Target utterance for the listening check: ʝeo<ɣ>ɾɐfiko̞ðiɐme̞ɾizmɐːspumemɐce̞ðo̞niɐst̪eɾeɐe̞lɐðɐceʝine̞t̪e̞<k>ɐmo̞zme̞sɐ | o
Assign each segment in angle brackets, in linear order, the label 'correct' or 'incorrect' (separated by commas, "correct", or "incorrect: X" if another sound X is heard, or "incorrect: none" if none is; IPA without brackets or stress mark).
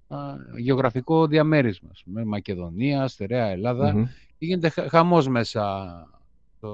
correct, incorrect: x